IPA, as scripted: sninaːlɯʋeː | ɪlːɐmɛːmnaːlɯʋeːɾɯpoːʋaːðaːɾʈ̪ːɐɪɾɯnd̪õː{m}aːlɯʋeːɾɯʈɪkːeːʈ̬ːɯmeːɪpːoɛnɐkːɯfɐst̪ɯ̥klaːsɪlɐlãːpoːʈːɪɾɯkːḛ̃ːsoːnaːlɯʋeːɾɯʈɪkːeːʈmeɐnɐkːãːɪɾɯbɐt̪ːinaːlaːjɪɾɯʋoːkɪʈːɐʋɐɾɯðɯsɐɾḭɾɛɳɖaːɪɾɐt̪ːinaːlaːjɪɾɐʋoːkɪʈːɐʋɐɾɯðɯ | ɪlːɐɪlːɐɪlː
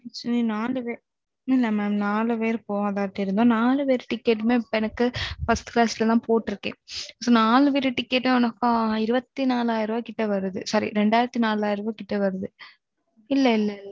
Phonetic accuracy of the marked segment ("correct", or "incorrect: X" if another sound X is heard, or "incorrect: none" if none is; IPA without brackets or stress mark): incorrect: n